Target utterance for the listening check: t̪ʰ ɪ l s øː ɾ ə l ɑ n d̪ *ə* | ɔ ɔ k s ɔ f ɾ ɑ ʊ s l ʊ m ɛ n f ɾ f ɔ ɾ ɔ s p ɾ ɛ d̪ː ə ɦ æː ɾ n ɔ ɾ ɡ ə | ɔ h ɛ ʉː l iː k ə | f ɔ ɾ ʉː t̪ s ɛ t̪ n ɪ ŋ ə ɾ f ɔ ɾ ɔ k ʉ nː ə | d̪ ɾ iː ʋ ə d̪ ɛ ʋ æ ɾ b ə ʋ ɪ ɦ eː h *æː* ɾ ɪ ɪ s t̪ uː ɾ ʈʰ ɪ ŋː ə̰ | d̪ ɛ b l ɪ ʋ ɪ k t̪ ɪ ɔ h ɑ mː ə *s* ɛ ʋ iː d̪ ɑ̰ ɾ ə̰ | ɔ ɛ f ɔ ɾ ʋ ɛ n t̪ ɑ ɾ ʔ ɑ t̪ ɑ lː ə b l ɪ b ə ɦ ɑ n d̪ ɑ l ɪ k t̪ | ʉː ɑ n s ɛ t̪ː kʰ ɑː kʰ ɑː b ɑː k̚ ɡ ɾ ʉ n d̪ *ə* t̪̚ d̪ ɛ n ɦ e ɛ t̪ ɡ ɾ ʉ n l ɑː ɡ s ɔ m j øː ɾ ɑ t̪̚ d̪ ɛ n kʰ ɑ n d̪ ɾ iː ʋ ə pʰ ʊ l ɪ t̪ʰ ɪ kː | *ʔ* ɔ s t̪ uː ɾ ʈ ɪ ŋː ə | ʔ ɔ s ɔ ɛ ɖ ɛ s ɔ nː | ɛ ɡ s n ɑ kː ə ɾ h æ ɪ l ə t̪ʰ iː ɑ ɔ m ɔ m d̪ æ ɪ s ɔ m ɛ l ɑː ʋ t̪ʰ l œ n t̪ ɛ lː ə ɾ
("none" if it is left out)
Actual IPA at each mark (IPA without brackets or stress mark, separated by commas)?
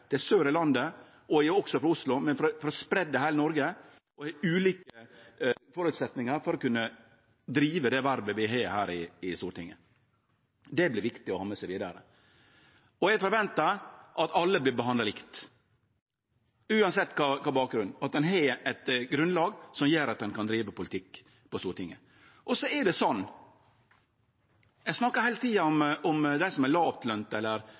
ə, æː, s, ɑ, p